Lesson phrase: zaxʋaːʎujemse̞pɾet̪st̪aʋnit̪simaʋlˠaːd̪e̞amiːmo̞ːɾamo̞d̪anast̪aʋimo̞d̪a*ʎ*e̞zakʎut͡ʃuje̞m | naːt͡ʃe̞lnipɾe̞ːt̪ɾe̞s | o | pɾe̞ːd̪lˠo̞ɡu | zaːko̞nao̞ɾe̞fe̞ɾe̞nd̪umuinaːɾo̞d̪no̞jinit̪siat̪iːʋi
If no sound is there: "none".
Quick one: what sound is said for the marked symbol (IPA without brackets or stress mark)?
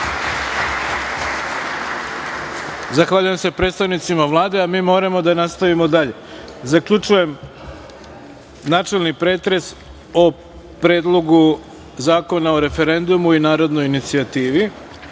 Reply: ʎ